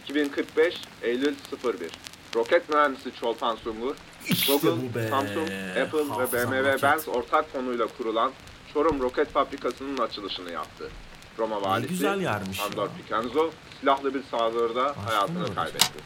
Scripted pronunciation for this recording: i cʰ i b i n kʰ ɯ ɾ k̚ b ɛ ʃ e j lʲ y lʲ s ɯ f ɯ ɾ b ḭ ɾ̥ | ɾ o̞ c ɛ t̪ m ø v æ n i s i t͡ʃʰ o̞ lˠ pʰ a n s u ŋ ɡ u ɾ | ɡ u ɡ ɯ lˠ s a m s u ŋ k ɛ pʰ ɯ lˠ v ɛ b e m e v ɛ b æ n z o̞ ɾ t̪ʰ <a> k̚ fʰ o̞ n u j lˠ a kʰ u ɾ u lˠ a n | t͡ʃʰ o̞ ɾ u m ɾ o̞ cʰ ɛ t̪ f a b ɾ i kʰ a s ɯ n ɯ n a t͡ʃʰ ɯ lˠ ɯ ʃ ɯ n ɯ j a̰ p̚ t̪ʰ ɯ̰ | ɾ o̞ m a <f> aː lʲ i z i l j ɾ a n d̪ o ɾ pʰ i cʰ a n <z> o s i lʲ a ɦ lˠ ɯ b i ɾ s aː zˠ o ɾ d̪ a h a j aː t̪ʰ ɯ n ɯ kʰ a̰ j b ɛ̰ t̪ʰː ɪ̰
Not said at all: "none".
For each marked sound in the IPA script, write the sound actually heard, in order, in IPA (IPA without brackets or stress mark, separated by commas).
a, v, z